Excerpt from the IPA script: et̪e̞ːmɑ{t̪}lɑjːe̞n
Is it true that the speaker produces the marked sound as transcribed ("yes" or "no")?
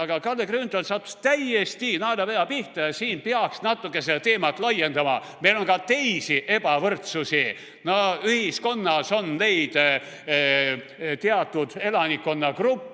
yes